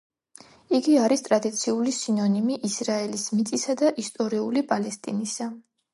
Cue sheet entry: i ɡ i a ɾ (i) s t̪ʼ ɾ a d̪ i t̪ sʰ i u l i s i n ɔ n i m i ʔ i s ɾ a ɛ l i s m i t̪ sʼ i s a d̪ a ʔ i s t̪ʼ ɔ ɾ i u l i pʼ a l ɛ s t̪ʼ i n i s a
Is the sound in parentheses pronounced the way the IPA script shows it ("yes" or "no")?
yes